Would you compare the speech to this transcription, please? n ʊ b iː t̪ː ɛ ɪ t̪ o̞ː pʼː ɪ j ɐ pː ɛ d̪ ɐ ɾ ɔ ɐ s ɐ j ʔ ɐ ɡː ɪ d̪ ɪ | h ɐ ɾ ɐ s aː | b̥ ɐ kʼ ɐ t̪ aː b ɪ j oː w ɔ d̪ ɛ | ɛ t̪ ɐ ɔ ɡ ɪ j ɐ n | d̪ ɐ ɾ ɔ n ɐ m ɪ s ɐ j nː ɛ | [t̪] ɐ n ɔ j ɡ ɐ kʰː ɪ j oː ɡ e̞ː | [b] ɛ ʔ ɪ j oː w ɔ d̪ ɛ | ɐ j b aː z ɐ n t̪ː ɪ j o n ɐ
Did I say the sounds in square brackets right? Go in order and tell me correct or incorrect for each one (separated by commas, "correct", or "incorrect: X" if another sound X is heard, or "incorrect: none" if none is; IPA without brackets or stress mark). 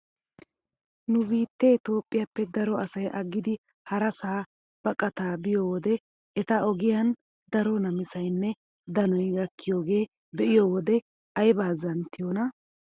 incorrect: d̪, correct